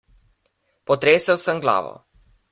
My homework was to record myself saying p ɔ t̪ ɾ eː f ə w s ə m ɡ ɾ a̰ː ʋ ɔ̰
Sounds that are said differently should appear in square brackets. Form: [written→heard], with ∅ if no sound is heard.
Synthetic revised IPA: p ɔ t̪ ɾ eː [f→s] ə w s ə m ɡ [ɾ→l] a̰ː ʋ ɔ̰